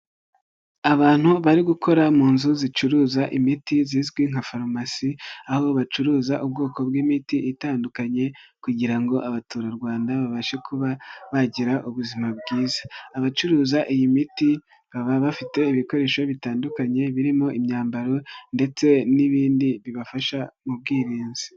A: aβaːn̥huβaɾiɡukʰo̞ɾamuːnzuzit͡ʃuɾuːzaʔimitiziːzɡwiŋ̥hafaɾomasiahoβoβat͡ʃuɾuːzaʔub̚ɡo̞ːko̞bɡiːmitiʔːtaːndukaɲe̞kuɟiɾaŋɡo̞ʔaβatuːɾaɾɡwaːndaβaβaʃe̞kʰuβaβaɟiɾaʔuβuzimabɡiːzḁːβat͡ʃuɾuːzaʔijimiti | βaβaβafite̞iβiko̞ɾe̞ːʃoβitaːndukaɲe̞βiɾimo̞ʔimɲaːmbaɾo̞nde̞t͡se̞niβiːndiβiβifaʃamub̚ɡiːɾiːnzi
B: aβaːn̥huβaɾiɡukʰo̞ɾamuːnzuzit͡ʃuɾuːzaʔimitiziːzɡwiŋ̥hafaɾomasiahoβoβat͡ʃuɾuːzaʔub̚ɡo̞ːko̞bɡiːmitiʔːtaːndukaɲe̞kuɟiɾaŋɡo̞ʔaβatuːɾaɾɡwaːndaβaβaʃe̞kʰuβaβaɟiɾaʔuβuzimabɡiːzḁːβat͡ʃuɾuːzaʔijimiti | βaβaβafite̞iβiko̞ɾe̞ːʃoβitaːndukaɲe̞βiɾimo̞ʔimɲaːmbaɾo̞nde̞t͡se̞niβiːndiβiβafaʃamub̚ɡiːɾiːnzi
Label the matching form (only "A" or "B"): B